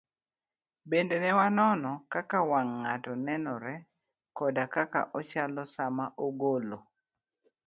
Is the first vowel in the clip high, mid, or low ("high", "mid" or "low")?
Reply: mid